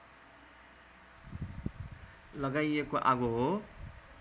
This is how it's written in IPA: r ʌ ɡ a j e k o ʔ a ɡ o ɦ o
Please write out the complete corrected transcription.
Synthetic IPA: l ʌ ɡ a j e k o ʔ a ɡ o ɦ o